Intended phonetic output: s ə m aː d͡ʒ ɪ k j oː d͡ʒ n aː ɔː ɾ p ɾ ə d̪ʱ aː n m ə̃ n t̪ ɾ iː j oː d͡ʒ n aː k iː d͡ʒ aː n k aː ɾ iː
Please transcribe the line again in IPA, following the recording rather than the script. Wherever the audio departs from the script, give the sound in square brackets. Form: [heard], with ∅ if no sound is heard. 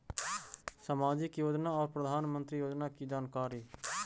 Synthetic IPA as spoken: s ə m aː d͡ʒ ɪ k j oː d͡ʒ n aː ɔː ɾ p ɾ ə d̪ʱ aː n m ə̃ n t̪ ɾ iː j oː d͡ʒ n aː k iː d͡ʒ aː n k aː ɾ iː